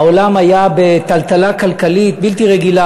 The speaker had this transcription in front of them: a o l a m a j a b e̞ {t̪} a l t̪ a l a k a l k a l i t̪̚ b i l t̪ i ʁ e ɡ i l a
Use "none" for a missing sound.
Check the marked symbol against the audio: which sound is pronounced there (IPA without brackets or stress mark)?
t̪